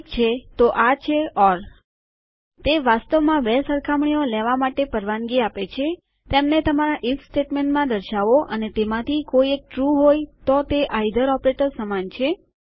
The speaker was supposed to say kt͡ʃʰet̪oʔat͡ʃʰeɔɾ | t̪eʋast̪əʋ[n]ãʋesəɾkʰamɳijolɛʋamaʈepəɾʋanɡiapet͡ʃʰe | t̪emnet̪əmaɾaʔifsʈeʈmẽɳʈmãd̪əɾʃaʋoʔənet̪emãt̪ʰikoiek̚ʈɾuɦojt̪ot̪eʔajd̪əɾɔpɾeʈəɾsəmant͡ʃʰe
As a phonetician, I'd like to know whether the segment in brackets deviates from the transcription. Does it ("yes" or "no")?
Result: yes